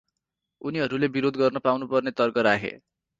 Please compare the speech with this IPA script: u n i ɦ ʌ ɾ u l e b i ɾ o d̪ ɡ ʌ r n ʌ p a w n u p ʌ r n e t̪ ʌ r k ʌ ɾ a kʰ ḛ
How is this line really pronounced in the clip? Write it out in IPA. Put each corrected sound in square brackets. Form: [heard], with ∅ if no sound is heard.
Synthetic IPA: u n i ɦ ʌ ɾ u l e b i ɾ o d̪ ɡ ʌ r n ʌ p a w n u p ʌ r n e t̪ ʌ r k ʌ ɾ a kʰ ḛ